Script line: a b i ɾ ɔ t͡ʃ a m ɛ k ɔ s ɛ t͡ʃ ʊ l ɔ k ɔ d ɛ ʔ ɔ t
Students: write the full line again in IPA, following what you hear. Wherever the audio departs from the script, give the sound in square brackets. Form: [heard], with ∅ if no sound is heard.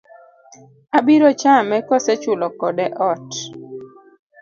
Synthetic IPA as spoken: a b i ɾ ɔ t͡ʃ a m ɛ k ɔ s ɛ t͡ʃ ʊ l ɔ k ɔ d ɛ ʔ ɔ t